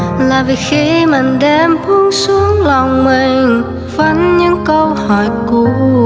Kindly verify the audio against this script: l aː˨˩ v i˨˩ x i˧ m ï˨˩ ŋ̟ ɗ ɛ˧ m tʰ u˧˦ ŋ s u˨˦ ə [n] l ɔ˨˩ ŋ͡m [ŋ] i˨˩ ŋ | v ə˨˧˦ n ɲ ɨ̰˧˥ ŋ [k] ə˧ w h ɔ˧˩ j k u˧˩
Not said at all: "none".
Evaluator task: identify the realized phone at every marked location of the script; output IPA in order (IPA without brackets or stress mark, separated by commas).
ŋ, m, k